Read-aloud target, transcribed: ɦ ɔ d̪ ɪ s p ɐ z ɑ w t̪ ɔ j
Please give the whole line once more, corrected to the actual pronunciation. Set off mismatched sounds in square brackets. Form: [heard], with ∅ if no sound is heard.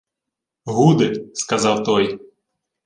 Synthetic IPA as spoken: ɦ [u] d̪ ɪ s [k] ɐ z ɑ w t̪ ɔ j

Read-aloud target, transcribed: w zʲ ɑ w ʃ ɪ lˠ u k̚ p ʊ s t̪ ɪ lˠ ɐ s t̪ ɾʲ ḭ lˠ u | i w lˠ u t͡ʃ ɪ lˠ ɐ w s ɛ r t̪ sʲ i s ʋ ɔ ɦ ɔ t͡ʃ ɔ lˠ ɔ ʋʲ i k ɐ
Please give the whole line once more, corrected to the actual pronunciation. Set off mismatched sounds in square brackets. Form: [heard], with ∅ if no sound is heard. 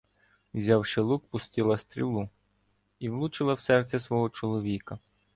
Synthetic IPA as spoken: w zʲ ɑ w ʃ ɪ lˠ u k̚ p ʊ s t̪ ɪ lˠ ɐ s t̪ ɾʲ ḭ lˠ u | i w lˠ u t͡ʃ ɪ lˠ ɐ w s ɛ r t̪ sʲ [ɛ] s ʋ ɔ ɦ ɔ t͡ʃ ɔ lˠ ɔ ʋʲ i k ɐ

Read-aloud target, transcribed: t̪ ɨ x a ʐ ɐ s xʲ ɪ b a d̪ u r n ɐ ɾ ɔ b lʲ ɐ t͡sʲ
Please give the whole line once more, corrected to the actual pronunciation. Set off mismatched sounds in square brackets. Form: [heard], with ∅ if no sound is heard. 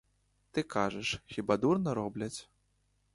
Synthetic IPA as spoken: t̪ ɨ [k] a ʐ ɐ [ʂ] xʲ [i] b a d̪ u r n ɐ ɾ ɔ b lʲ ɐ t͡sʲ

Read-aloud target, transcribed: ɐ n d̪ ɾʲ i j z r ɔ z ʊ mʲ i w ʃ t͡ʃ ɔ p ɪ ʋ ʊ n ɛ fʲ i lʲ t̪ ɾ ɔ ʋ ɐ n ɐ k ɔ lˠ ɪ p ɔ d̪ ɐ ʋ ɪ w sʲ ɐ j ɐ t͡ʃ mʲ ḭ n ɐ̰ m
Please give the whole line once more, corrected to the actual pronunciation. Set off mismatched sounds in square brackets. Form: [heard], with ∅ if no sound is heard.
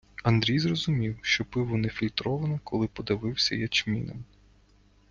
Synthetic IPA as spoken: ɐ n d̪ ɾʲ i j z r ɔ z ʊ mʲ i w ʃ t͡ʃ ɔ p ɪ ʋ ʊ n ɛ fʲ i lʲ t̪ ɾ ɔ ʋ ɐ n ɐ k ɔ lˠ ɪ p ɔ d̪ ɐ ʋ ɪ w sʲ ɐ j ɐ t͡ʃ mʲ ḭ n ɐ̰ m

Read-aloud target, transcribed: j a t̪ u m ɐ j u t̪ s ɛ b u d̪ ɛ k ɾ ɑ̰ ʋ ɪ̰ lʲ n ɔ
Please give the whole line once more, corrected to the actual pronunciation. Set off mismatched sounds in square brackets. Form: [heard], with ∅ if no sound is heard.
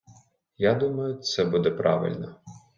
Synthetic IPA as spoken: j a [d̪] u m ɐ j [ʊ] t̪ s ɛ b u d̪ ɛ [p] ɾ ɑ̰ ʋ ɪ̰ lʲ n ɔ

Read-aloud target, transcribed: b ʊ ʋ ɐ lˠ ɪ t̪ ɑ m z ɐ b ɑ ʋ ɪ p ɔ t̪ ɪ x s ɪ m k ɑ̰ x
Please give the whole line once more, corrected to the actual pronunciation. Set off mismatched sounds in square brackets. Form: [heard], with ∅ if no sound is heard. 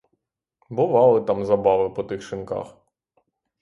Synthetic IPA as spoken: b ʊ ʋ [ɑ] lˠ ɪ t̪ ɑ m z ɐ b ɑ ʋ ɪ p ɔ t̪ ɪ x [ʃ] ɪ [n] k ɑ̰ x

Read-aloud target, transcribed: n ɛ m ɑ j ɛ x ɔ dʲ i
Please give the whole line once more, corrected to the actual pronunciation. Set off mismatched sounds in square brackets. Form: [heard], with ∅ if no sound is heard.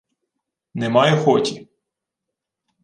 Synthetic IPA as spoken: n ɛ m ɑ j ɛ x ɔ [tʲ] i

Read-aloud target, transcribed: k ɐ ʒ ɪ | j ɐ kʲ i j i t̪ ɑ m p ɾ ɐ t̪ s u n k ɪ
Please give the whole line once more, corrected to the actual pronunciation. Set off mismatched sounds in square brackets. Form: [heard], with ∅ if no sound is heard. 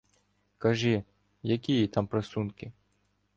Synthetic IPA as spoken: k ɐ ʒ ɪ | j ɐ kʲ i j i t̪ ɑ m p ɾ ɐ [∅] s u n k ɪ

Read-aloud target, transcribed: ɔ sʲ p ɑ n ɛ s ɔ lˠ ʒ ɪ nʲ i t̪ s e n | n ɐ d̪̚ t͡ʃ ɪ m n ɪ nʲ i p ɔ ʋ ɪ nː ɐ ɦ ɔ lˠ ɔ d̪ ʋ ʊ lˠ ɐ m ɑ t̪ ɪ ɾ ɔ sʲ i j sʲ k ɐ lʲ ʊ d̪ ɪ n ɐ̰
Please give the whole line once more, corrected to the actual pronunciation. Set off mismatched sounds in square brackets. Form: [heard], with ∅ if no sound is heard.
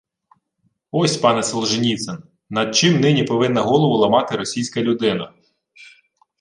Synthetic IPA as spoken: ɔ sʲ p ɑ n ɛ s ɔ lˠ ʒ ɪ nʲ i t̪ s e n | n ɐ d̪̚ t͡ʃ ɪ m n ɪ nʲ i p ɔ ʋ ɪ nː ɐ ɦ ɔ lˠ ɔ [∅] ʋ ʊ lˠ ɐ m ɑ t̪ ɪ ɾ ɔ sʲ i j sʲ k ɐ lʲ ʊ d̪ ɪ n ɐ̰

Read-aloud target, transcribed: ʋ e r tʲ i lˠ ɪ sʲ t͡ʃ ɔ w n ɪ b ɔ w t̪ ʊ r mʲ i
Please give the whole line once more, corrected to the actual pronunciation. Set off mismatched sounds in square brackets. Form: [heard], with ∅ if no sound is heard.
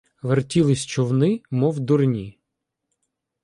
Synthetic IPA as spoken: ʋ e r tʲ i lˠ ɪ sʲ t͡ʃ ɔ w n ɪ [m] ɔ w [d̪] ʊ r [nʲ] i

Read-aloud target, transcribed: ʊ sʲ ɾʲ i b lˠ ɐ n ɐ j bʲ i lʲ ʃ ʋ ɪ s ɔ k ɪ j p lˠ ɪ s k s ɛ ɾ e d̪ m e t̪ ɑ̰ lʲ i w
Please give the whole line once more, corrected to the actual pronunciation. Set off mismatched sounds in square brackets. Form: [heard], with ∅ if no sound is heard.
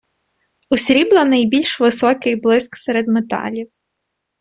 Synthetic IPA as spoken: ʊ sʲ ɾʲ i b lˠ ɐ n ɐ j bʲ i lʲ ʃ ʋ ɪ s ɔ k ɪ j [b] lˠ ɪ s k s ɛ ɾ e d̪ m e t̪ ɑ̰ lʲ i w

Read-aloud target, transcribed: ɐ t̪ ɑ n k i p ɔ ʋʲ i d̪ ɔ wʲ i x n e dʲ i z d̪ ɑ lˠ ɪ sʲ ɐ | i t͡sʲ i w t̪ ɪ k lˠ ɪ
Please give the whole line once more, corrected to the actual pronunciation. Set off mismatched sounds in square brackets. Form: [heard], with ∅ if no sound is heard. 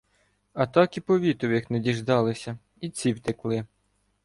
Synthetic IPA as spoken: ɐ t̪ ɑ [∅] k i p ɔ ʋʲ i [t̪] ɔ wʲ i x n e dʲ i [ʒ] d̪ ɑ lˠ ɪ sʲ ɐ | i t͡sʲ i w t̪ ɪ k lˠ ɪ

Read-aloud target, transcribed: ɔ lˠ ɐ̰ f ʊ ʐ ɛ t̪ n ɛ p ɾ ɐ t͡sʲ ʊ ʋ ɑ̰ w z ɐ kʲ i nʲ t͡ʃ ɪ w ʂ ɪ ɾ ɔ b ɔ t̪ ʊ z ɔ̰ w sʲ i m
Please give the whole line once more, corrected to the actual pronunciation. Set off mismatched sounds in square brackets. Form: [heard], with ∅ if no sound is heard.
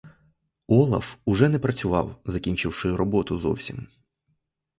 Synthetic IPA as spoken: ɔ lˠ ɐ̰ f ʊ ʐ ɛ [∅] n ɛ p ɾ ɐ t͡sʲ ʊ ʋ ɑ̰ w z ɐ kʲ i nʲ t͡ʃ ɪ w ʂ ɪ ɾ ɔ b ɔ t̪ ʊ z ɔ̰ w sʲ i m

